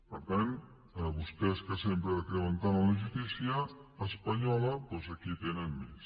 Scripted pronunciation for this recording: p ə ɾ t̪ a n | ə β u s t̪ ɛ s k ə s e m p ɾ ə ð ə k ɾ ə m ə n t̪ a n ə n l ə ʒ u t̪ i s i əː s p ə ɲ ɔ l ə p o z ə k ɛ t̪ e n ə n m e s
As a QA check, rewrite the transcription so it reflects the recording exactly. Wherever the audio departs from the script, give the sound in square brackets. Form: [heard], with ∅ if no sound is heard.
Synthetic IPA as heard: p ə ɾ t̪ a n | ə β u s t̪ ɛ s k ə s e m p ɾ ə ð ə k ɾ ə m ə n t̪ a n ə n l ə ʒ u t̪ i s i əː s p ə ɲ ɔ l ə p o z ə k [i] t̪ e n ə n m e s